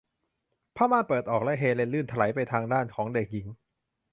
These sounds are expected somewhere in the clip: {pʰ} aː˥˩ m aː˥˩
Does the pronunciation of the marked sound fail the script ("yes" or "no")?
no